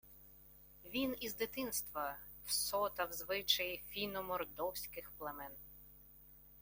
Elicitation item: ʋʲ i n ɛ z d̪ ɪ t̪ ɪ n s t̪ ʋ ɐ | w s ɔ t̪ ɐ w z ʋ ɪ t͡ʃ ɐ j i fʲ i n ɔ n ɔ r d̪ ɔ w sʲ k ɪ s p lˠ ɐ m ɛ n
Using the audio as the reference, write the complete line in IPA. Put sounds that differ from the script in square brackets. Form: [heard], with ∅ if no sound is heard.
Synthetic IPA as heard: ʋʲ i n [i] z d̪ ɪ t̪ ɪ n s t̪ ʋ ɐ | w s ɔ t̪ ɐ w z ʋ ɪ t͡ʃ ɐ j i fʲ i n ɔ [m] ɔ r d̪ ɔ w sʲ k ɪ [x] p lˠ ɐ m ɛ n